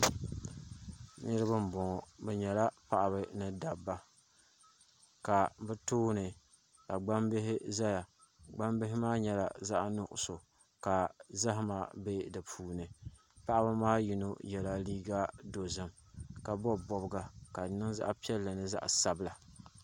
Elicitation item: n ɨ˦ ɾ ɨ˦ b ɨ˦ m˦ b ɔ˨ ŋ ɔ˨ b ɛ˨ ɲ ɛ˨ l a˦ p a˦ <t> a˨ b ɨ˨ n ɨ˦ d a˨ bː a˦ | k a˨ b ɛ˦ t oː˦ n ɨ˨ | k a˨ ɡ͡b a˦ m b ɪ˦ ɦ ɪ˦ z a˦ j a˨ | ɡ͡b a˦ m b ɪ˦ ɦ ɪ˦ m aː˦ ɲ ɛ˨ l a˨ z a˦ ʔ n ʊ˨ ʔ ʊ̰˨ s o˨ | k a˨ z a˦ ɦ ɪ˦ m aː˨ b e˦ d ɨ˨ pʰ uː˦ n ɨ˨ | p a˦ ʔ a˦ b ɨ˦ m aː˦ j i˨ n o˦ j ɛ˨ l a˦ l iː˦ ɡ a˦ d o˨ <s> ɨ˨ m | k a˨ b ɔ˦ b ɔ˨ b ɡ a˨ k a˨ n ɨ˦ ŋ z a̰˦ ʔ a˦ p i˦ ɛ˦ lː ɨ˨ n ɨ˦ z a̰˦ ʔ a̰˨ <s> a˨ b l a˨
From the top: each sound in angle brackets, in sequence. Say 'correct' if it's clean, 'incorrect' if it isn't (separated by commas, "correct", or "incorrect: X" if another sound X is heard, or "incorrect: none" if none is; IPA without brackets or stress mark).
incorrect: ʔ, incorrect: z, correct